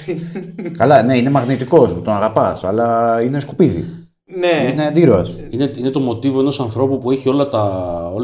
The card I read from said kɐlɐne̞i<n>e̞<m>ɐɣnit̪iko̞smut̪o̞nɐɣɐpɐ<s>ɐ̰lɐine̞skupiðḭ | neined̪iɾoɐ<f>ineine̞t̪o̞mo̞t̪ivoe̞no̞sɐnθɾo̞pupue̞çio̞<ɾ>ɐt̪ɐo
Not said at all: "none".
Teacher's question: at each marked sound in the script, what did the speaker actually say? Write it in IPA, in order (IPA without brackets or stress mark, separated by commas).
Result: n, m, s, s, l